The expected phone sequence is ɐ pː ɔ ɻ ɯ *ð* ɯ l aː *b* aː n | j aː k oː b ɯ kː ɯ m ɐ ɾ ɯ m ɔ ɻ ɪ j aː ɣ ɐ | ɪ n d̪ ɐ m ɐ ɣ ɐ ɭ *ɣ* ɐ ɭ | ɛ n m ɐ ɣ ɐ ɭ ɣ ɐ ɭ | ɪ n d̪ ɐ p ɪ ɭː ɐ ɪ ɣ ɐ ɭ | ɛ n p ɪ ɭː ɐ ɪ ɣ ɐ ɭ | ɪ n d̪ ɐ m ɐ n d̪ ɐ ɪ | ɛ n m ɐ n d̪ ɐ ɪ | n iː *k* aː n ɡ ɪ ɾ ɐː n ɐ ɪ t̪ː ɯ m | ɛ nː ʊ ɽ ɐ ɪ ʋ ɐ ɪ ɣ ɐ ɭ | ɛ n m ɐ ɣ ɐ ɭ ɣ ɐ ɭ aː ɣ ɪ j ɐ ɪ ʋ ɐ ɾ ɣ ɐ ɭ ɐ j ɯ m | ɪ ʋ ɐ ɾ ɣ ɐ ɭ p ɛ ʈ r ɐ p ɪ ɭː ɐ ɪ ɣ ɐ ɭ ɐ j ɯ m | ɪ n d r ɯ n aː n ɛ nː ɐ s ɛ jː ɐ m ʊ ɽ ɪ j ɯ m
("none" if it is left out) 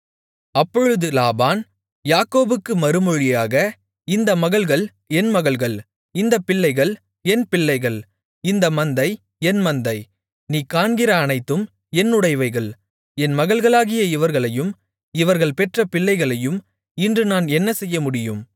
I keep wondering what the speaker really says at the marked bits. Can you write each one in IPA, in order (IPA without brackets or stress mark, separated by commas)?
ð, b, ɣ, k